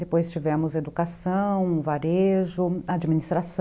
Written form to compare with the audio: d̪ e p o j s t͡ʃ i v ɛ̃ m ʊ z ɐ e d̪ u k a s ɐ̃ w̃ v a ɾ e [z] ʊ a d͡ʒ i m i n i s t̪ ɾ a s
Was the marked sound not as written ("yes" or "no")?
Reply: yes